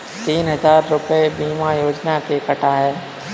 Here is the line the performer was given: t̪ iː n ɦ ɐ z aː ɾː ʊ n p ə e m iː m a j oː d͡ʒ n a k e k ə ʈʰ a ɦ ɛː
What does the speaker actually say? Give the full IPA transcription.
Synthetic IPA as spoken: t̪ iː n ɦ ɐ z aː ɾː ʊ p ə e b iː m a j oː d͡ʒ n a k e k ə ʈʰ a ɦ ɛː